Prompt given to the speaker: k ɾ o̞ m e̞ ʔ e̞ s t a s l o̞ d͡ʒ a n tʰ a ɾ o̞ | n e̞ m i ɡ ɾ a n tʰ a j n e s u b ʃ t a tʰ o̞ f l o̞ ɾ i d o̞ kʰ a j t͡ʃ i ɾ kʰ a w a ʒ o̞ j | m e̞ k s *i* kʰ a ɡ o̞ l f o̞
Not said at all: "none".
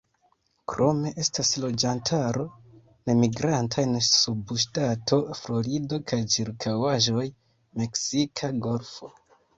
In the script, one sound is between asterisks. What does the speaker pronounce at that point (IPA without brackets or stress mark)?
i